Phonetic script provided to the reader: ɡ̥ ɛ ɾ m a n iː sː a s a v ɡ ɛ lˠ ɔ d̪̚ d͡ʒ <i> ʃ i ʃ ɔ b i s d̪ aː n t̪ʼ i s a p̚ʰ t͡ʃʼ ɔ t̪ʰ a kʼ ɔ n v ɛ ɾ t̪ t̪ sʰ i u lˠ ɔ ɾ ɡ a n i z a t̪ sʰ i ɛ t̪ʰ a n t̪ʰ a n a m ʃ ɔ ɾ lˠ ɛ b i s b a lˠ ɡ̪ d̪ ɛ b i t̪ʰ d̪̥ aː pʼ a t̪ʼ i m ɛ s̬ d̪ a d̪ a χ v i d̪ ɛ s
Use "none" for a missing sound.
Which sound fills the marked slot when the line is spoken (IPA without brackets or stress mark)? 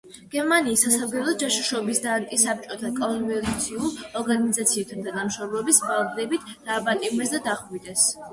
a